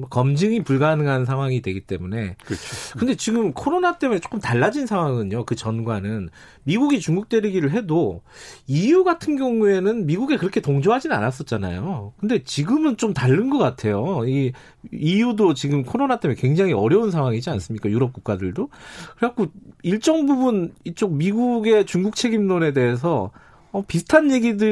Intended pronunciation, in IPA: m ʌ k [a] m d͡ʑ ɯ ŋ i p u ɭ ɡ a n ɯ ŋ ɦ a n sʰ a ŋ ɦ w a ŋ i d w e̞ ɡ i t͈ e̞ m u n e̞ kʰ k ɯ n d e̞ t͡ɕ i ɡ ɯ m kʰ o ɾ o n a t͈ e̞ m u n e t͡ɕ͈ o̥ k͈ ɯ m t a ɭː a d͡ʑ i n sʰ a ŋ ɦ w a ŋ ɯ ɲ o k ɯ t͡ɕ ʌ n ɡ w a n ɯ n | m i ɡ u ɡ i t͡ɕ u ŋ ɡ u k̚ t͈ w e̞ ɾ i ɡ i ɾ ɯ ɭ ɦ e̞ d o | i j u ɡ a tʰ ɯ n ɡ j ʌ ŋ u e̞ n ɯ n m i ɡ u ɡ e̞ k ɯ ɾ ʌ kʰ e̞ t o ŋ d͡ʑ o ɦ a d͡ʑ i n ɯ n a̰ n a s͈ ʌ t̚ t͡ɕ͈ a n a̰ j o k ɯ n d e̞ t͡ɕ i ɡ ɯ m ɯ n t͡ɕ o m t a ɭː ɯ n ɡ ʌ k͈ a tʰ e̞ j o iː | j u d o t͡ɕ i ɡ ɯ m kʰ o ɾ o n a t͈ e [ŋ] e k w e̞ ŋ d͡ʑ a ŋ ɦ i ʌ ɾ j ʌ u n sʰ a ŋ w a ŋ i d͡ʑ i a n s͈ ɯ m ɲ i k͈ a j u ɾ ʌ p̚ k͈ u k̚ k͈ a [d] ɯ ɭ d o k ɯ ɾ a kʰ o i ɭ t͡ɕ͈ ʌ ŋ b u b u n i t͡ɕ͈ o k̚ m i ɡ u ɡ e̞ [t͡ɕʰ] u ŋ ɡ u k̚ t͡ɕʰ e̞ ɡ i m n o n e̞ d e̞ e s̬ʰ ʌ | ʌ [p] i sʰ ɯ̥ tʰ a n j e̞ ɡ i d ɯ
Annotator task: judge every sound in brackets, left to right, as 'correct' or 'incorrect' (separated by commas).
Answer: incorrect, incorrect, correct, incorrect, correct